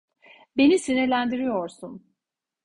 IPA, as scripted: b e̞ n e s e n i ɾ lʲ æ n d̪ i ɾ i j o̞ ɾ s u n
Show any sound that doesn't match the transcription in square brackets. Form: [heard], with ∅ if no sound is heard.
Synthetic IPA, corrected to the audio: b e̞ n [i] s [i] n i ɾ lʲ æ n d̪ i ɾ i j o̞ ɾ s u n